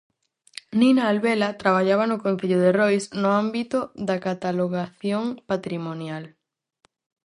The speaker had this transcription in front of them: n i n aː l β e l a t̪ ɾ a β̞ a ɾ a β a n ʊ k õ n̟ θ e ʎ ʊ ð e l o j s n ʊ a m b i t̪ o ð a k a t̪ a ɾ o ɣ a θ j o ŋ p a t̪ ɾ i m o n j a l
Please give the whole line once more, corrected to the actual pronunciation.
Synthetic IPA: n i n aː l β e l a t̪ ɾ a β̞ a ʎ a β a n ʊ k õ n̟ θ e ʎ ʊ ð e r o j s n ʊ a m b i t̪ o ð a k a t̪ a l o ɣ a θ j o ŋ p a t̪ ɾ i m o n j a l